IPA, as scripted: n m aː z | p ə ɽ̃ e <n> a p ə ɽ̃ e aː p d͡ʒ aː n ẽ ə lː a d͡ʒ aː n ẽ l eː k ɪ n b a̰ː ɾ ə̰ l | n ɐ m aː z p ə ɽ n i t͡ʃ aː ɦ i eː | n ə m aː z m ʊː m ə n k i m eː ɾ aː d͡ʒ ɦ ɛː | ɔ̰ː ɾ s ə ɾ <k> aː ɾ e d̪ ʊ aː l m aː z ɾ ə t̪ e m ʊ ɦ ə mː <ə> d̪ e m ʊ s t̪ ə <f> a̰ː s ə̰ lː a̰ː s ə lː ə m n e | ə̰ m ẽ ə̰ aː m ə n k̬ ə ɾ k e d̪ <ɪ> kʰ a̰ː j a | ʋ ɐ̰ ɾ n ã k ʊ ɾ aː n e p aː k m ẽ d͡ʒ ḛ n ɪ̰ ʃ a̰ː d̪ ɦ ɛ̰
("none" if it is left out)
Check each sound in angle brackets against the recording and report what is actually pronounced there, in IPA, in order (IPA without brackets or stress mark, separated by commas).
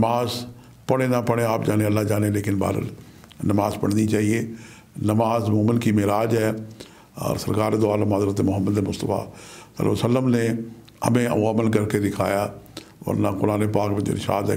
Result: n, k, ə, f, ɪ